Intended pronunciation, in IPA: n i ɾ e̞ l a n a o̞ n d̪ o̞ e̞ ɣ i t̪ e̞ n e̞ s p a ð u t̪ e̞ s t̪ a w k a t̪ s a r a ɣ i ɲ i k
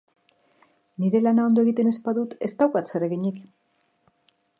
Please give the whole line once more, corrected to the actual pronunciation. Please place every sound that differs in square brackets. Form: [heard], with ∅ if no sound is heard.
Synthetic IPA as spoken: n i ɾ e̞ l a n a o̞ n d̪ o̞ e̞ ɣ i t̪ e̞ n e̞ s p a ð u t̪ e̞ s t̪ a w k a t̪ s [e] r [e] ɣ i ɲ i k